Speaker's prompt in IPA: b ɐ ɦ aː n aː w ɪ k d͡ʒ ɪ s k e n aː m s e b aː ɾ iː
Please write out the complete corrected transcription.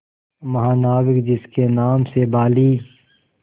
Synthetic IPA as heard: m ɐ ɦ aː n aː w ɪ k d͡ʒ ɪ s k e n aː m s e b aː l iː